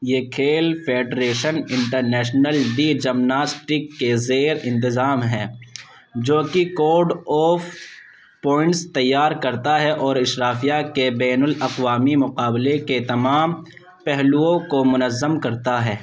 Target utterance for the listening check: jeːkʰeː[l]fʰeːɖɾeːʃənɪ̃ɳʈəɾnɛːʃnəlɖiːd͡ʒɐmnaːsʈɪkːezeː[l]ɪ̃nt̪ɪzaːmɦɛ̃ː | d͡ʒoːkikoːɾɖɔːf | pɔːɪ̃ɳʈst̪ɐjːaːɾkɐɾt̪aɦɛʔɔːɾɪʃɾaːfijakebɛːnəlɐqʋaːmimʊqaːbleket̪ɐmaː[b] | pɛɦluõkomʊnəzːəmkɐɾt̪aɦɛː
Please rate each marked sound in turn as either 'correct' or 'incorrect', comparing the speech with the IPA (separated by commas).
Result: correct, incorrect, incorrect